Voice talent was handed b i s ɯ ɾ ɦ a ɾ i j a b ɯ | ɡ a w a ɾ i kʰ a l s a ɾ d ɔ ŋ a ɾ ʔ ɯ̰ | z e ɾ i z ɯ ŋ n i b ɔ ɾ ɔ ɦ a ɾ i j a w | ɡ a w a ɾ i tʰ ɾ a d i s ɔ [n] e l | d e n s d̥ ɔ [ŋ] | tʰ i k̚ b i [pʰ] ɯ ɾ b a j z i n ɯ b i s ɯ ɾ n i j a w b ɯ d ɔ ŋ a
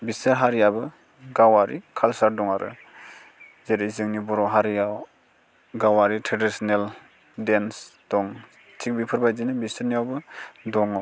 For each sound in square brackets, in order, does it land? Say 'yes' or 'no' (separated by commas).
yes, yes, yes